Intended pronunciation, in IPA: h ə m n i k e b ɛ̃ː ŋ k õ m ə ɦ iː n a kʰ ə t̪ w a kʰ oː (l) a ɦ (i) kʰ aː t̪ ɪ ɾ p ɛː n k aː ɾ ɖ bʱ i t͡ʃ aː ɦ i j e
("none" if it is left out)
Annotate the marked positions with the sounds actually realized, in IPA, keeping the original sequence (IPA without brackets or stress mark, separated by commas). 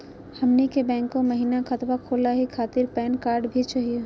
l, i